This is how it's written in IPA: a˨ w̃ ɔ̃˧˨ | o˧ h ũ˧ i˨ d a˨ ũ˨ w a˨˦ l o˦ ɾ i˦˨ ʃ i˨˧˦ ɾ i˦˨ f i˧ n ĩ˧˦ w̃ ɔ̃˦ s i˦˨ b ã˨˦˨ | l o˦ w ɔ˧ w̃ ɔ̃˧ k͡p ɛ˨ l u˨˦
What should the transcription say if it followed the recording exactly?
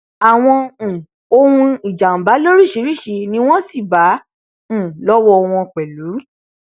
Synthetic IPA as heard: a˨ w̃ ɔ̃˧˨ | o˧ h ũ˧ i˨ d͡ʒ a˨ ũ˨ b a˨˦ l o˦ ɾ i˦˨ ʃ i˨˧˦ ɾ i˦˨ ʃ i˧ n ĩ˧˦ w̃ ɔ̃˦ s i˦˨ b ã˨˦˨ | l ɔ˦ w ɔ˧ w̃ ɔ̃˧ k͡p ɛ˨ l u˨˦